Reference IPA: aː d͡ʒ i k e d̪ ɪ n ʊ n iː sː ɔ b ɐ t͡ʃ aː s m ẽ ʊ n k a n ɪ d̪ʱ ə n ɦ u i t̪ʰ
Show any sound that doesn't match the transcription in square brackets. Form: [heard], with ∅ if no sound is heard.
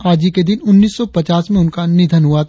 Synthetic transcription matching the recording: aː d͡ʒ i k e d̪ ɪ n ʊ [nː] iː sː ɔ [p] ɐ t͡ʃ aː s m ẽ ʊ n k a n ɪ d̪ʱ ə n ɦ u [a] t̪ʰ